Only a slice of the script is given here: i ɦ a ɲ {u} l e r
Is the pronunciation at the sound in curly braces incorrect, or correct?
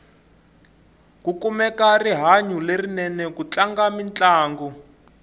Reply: correct